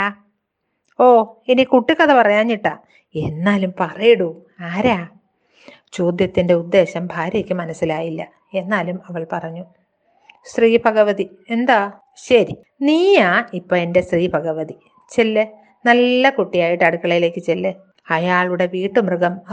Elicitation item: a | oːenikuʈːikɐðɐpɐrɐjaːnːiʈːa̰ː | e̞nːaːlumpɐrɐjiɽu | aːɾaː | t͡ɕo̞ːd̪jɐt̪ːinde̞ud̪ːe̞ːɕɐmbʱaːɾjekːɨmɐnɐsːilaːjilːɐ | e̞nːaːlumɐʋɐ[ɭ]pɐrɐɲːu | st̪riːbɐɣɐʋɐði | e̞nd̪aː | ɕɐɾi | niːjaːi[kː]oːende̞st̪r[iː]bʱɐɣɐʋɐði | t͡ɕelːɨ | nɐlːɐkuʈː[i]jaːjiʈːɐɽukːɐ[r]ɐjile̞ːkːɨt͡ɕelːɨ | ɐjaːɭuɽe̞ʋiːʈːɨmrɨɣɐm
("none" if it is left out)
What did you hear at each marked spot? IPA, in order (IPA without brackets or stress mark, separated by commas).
ɭ, pː, iː, i, ɭ